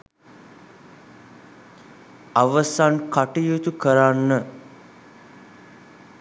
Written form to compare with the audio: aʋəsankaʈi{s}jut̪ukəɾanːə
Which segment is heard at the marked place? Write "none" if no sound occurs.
none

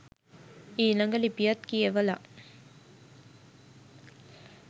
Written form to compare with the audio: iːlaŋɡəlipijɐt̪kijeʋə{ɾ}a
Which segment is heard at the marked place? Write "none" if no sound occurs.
l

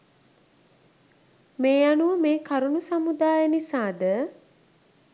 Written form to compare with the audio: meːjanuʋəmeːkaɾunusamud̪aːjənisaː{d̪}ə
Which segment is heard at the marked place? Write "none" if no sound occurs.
d̪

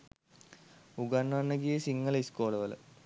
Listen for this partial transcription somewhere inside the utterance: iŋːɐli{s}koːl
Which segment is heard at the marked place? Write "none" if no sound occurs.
s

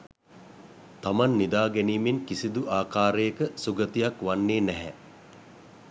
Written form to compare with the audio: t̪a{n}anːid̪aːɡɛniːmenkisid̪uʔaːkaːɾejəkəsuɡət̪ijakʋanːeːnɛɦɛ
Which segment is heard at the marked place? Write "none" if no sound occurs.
m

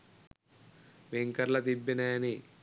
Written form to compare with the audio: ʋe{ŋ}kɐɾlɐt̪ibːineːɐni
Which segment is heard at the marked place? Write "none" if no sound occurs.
ŋ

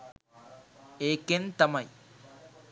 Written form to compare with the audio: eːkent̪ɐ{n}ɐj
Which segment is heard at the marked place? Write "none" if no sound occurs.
m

